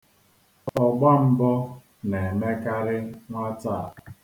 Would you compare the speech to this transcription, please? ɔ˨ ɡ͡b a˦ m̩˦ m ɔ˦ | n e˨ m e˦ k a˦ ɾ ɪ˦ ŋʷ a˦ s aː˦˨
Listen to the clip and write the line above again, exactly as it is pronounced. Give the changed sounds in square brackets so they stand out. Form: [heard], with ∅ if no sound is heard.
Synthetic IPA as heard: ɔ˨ ɡ͡b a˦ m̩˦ [b] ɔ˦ | n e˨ m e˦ k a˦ ɾ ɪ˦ ŋʷ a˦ [t] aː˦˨